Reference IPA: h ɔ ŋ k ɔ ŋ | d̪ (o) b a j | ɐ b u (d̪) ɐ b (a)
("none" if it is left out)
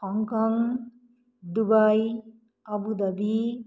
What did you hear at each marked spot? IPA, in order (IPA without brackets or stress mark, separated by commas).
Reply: u, d̪, i